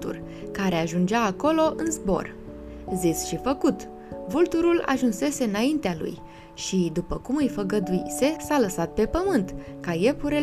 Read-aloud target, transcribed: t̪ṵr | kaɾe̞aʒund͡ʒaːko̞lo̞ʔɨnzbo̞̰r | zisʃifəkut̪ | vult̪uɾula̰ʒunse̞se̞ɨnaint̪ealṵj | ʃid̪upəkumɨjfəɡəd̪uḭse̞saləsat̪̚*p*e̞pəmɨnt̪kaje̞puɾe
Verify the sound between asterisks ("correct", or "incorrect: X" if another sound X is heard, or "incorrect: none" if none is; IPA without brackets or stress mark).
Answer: correct